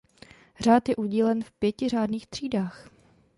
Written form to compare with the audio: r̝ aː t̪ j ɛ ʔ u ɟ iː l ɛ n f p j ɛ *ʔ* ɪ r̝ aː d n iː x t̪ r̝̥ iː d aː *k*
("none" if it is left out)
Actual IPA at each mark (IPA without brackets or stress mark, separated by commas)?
c, x